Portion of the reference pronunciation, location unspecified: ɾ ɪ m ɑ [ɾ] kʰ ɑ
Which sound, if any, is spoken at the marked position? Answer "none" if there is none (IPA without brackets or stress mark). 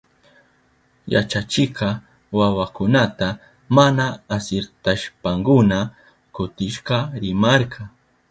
ɾ